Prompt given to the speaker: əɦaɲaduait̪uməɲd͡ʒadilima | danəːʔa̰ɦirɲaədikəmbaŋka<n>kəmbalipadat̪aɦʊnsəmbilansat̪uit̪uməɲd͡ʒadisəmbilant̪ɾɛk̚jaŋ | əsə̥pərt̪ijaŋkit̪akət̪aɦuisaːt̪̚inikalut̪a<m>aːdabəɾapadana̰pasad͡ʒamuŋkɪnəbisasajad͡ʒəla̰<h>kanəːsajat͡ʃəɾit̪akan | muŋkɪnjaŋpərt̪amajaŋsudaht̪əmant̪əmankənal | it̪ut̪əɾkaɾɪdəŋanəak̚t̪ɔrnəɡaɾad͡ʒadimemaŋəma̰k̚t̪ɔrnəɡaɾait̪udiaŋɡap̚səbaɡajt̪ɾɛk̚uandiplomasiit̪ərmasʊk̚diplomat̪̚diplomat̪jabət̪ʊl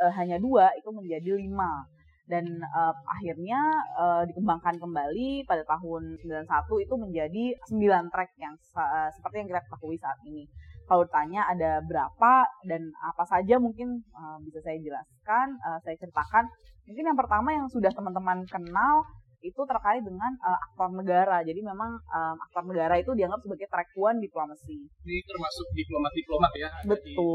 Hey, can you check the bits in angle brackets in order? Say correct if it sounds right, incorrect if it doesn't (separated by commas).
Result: correct, incorrect, incorrect